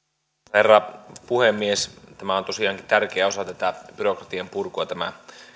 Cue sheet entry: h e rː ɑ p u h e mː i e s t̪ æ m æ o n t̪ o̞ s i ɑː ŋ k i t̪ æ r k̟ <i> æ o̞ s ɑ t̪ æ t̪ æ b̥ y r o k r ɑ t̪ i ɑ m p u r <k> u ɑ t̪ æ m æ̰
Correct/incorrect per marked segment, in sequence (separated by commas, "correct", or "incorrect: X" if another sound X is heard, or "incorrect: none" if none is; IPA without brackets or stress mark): incorrect: e, correct